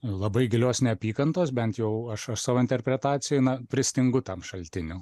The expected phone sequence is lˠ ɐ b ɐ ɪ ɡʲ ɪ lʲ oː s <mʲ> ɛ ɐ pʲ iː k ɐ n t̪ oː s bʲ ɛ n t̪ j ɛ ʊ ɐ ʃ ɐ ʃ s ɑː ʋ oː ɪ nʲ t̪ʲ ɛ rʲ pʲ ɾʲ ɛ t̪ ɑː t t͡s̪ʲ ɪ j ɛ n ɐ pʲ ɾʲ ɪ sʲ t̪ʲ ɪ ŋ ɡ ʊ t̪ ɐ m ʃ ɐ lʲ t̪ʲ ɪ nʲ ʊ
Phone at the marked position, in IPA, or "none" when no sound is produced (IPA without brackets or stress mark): nʲ